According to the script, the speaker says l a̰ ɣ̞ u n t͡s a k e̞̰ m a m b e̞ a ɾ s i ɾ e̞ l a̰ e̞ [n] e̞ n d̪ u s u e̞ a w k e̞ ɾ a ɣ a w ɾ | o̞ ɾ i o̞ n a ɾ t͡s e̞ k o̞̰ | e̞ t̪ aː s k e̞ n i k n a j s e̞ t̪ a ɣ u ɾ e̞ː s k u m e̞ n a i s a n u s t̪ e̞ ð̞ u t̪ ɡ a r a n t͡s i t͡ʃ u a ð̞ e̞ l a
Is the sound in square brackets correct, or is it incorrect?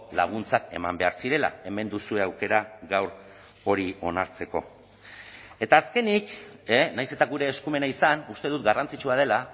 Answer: incorrect